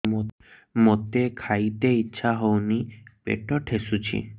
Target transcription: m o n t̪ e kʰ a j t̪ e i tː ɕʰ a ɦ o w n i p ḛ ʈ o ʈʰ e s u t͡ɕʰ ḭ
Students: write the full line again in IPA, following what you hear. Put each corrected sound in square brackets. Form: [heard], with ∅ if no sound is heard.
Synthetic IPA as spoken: m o [∅] t̪ e kʰ a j t̪ e i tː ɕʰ a ɦ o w n i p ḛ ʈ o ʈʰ e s u t͡ɕʰ ḭ